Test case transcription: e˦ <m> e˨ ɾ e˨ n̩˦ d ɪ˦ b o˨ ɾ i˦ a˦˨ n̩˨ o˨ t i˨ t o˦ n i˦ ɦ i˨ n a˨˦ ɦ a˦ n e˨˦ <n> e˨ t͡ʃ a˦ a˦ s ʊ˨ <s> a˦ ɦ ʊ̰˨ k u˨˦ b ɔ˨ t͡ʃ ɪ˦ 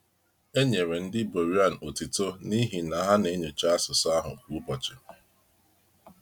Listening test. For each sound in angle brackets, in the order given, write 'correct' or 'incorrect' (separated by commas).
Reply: incorrect, incorrect, correct